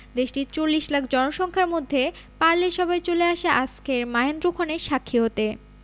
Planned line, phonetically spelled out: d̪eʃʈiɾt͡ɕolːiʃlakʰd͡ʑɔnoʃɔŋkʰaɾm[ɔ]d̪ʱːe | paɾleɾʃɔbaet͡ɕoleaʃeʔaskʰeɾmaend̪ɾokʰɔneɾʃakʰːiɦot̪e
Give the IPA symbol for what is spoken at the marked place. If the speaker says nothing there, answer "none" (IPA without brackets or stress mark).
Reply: o